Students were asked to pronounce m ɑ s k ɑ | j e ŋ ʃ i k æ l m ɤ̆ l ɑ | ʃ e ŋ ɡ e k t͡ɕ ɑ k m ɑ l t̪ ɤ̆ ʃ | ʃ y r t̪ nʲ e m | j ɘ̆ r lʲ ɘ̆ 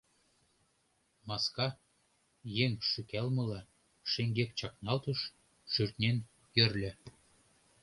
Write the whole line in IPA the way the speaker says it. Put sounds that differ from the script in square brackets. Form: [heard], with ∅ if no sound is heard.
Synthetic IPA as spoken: m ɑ s k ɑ | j e ŋ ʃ [y] k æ l m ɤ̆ l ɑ | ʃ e ŋ ɡ e k t͡ɕ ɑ k [n] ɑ l t̪ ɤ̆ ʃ | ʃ y r t̪ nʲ e [n] | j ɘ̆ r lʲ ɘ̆

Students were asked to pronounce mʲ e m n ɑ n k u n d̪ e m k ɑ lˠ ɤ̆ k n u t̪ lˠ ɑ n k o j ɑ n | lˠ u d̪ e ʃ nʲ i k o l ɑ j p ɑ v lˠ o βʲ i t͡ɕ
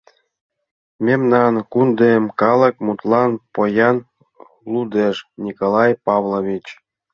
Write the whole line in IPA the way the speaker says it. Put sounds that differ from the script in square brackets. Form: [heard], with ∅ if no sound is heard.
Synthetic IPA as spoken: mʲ e m n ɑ n k u n d̪ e m k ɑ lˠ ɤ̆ k [m] u t̪ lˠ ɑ n [p] o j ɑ n | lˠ u d̪ e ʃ nʲ i k o l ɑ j p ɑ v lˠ o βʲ i t͡ɕ

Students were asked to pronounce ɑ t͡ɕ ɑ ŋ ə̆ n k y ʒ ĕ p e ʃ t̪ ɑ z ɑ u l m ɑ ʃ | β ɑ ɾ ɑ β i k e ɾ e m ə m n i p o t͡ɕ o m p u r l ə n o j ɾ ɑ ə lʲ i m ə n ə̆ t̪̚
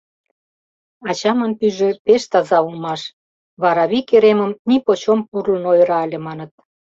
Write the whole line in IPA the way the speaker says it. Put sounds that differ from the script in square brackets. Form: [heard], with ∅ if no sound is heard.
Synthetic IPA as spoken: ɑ t͡ɕ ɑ [m] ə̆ n [p] y ʒ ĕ p e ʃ t̪ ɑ z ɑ u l m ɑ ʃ | β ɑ ɾ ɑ β i k e ɾ e m ə m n i p o t͡ɕ o m p u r l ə n o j ɾ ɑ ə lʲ [e] m [ɑ] n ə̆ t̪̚

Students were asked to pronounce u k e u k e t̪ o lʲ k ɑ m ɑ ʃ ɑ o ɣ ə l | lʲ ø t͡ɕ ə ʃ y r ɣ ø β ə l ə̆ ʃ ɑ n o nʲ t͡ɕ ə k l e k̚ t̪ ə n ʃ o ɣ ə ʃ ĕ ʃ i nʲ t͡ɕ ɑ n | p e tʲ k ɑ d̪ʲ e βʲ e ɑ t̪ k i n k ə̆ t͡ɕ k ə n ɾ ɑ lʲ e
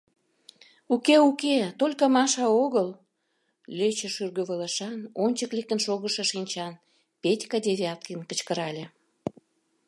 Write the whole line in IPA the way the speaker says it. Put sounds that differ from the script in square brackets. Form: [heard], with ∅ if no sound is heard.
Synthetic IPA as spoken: u k e u k e t̪ o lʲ k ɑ m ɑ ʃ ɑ o ɣ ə l | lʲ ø t͡ɕ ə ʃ y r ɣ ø β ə l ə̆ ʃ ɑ n o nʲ t͡ɕ ə k l e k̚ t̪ ə n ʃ o ɣ ə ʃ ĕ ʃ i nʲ t͡ɕ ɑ n | p e tʲ k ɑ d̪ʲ e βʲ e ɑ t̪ k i n k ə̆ t͡ɕ k ə [∅] ɾ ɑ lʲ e

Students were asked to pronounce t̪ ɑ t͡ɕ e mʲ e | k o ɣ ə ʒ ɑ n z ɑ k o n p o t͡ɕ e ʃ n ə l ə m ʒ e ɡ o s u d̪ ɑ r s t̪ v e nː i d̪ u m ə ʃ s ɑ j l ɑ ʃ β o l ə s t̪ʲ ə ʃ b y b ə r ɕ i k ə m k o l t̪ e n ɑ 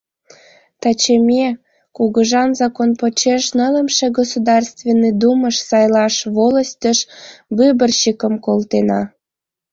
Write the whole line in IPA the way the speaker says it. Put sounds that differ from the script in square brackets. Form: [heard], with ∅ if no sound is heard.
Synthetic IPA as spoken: t̪ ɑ t͡ɕ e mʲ e | k [u] ɣ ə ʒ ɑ n z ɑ k o n p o t͡ɕ e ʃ n ə l ə m [ʃ] e ɡ o s u d̪ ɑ r s t̪ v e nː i d̪ u m ə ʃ s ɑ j l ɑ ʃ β o l ə s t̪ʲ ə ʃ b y b ə r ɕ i k ə m k o l t̪ e n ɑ

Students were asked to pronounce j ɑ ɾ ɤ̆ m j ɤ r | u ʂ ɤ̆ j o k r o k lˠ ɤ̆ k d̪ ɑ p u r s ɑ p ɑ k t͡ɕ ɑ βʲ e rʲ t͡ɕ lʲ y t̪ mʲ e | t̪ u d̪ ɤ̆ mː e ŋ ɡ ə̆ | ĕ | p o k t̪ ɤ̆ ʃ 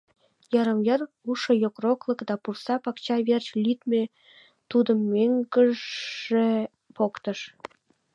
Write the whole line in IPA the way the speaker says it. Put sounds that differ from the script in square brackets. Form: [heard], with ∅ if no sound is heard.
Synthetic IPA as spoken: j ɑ ɾ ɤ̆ m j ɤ r | u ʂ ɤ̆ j o k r o k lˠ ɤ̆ k d̪ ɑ p u r s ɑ p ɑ k t͡ɕ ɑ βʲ e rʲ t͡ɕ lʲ y t̪ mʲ e | t̪ u d̪ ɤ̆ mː e ŋ ɡ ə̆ | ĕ | p o k t̪ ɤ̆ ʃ

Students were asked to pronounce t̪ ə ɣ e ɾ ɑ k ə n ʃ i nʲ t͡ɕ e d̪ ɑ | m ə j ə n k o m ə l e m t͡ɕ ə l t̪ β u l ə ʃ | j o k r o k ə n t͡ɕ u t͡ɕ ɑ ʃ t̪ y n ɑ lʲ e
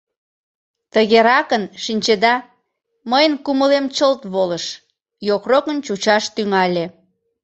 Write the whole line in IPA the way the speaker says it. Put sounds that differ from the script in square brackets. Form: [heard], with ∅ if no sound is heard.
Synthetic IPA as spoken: t̪ ə ɣ e ɾ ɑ k ə n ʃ i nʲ t͡ɕ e d̪ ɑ | m ə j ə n k [u] m ə l e m t͡ɕ ə l t̪ β [o] l ə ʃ | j o k r o k ə n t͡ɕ u t͡ɕ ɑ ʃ t̪ y [ŋ] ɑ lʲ e

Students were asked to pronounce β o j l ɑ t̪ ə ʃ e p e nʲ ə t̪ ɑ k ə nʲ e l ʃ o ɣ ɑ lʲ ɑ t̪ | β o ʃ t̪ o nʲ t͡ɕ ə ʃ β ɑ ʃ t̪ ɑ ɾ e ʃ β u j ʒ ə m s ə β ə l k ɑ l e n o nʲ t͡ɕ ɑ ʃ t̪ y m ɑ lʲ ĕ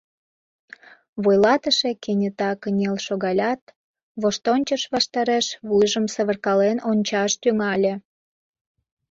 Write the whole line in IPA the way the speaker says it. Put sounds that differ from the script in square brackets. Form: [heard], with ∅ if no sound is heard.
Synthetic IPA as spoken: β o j l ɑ t̪ ə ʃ e [k] e nʲ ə t̪ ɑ k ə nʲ e l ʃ o ɣ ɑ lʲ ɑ t̪ | β o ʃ t̪ o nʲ t͡ɕ ə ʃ β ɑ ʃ t̪ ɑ ɾ e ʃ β u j ʒ ə m s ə β ə [r] k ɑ l e n o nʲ t͡ɕ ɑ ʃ t̪ y [ŋ] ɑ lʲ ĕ

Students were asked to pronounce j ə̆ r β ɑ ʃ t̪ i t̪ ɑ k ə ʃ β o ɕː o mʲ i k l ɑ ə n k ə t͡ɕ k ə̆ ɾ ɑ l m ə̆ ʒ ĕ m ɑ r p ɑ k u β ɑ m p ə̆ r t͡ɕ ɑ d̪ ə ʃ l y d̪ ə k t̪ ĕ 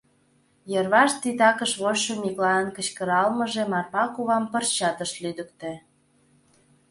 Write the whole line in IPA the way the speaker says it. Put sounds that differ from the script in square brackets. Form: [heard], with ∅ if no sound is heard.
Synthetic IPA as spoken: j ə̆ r β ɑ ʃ t̪ i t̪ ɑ k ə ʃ β o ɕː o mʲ i k l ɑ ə n k ə t͡ɕ k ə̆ ɾ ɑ l m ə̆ ʒ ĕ m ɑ r p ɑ k u β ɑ m p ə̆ r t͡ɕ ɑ [t̪] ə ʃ l y d̪ ə k t̪ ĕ

